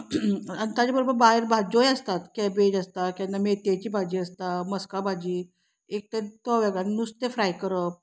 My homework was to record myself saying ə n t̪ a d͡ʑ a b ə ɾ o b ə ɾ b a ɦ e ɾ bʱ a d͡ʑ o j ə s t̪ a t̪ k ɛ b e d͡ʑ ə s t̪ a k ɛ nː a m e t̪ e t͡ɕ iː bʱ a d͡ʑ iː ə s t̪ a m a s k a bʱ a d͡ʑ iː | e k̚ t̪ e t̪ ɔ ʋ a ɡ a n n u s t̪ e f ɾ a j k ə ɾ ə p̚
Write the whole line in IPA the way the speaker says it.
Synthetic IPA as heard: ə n t̪ a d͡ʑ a b ə ɾ o b ə ɾ b a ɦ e ɾ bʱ a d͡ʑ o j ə s t̪ a t̪ k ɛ b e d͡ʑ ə s t̪ a k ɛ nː a m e t̪ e t͡ɕ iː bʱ a d͡ʑ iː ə s t̪ a m ə s k a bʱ a d͡ʑ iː | e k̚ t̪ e t̪ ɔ ʋ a ɡ a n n u s t̪ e f ɾ a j k ə ɾ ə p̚

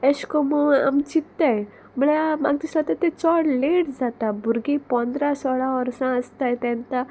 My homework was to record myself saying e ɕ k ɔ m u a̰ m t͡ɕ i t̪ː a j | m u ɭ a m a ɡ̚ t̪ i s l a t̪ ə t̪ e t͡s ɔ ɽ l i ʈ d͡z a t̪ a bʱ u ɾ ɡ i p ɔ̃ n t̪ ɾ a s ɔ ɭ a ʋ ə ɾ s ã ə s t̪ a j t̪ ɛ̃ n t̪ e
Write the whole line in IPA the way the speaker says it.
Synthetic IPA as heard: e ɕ k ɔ m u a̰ m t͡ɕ i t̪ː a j | m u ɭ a m a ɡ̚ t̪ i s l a t̪ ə t̪ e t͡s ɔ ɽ l e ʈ d͡z a t̪ a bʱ u ɾ ɡ i p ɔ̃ n d̪ ɾ a s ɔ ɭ a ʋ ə ɾ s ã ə s t̪ a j t̪ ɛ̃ n t̪ a

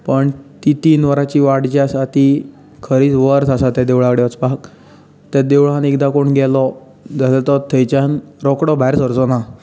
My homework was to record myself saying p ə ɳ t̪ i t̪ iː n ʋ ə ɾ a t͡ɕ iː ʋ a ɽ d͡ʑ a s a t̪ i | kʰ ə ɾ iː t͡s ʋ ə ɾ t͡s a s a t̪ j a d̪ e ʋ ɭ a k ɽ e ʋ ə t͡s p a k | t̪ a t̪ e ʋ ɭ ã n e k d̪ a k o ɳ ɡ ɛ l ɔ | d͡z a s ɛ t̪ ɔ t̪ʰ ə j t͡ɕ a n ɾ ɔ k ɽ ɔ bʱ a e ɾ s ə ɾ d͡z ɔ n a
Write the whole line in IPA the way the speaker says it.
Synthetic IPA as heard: p ə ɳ t̪ i t̪ iː n ʋ ə ɾ a t͡ɕ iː ʋ a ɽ d͡ʑ a s a t̪ i | kʰ ə ɾ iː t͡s ʋ ə ɾ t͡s a s a t̪ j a d̪ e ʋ ɭ a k ɽ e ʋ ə t͡s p a k | t̪ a d̪ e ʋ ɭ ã n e k d̪ a k o ɳ ɡ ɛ l ɔ | d͡z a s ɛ t̪ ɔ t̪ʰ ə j t͡ɕ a n ɾ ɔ k ɽ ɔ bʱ a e ɾ s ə ɾ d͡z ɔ n a

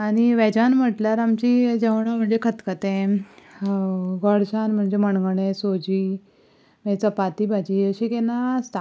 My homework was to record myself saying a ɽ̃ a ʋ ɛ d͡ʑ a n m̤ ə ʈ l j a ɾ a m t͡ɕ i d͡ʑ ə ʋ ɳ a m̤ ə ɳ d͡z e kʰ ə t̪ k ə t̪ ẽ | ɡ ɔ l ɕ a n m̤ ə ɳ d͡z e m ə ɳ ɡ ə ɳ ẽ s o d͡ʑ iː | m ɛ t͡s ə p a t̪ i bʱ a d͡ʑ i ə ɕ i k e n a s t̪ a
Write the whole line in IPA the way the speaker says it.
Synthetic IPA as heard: a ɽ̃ i ʋ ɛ d͡ʑ a n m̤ ə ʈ l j a ɾ a m t͡ɕ i d͡ʑ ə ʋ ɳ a m̤ ə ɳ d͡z e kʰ ə t̪ k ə t̪ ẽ | ɡ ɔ ɽ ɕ a n m̤ ə ɳ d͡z e m ə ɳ ɡ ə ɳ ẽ s o d͡ʑ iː | m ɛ t͡s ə p a t̪ i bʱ a d͡ʑ i ə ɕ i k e n a s t̪ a

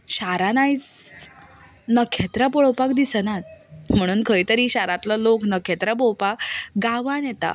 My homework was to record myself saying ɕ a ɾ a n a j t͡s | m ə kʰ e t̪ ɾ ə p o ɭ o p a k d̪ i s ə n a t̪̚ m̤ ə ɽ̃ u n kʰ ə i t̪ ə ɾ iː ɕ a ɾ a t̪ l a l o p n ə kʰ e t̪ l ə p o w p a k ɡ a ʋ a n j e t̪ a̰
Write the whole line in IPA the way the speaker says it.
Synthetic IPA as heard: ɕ a ɾ a n a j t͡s | n ə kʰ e t̪ ɾ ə p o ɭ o p a k d̪ i s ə n a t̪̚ m̤ ə ɽ̃ uː n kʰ ə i t̪ ə ɾ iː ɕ a ɾ a t̪ l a l o k n ə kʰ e t̪ ɾ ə p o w p a k ɡ a ʋ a n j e t̪ a̰

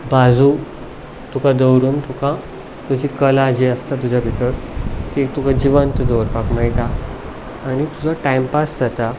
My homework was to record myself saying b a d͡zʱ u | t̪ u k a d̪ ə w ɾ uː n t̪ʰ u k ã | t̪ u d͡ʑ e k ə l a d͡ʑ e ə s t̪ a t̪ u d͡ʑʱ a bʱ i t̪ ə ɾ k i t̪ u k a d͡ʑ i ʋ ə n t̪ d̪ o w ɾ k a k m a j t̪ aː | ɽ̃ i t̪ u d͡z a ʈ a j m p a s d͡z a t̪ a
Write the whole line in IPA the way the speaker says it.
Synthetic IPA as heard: b a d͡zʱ u | t̪ u k a d̪ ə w ɾ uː n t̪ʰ u k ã | t̪ u d͡ʑ i k ə l a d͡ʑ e ə s t̪ a t̪ u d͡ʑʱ a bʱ i t̪ ə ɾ k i t̪ u k a d͡ʑ i ʋ ə n t̪ d̪ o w ɾ p a k m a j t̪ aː | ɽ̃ i t̪ u d͡z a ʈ a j m p a s d͡z a t̪ a

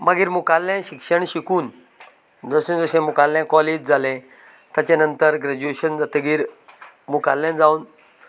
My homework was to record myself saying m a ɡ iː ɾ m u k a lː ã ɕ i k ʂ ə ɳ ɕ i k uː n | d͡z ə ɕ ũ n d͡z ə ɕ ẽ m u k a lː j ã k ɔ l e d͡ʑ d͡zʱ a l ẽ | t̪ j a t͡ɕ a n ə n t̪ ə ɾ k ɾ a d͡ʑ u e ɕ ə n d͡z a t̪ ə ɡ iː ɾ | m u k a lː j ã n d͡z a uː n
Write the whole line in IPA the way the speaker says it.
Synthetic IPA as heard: m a ɡ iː ɾ m u k a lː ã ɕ i k ʂ ə ɳ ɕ i k uː n | d͡z ə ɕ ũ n d͡z ə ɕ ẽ m u k a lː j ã k ɔ l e d͡ʑ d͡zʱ a l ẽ | t̪ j a t͡ɕ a n ə n t̪ ə ɾ ɡ ɾ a d͡ʑ u e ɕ ə n d͡z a t̪ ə ɡ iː ɾ | m u k a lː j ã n d͡z a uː n

